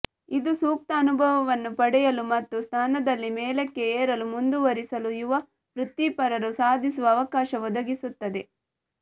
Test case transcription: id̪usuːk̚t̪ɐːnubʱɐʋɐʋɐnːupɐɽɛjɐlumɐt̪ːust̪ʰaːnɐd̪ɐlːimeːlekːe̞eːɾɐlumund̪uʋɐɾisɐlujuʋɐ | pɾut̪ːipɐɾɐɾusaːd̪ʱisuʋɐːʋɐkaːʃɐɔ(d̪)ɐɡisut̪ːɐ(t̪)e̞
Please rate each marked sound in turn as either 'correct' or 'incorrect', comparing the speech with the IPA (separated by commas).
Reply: correct, incorrect